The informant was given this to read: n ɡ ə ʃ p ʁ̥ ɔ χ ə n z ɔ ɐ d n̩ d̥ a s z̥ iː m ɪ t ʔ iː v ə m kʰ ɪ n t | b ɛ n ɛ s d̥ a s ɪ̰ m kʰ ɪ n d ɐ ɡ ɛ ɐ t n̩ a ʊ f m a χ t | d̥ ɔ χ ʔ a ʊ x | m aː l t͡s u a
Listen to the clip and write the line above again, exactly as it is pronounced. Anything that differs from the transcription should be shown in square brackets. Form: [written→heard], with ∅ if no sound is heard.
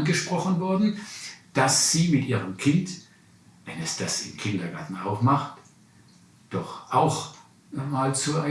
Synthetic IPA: n ɡ ə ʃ p ʁ̥ ɔ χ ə n [z→v] ɔ ɐ d n̩ d̥ a s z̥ iː m ɪ t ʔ iː [v→ʁ] ə m kʰ ɪ n t | [b→v] ɛ n ɛ s d̥ a s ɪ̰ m kʰ ɪ n d ɐ ɡ [ɛ→a] ɐ t n̩ a ʊ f m a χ t | d̥ ɔ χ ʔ a ʊ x | m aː l t͡s u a